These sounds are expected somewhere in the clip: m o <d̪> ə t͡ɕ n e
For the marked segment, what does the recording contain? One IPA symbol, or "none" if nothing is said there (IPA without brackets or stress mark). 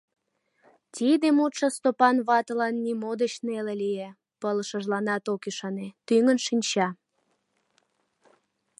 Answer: d̪